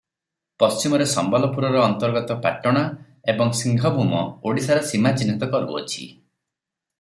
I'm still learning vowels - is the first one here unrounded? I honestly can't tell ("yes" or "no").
no